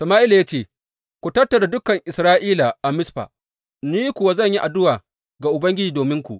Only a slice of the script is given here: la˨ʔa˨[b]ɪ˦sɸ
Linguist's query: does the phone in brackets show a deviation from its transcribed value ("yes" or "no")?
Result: yes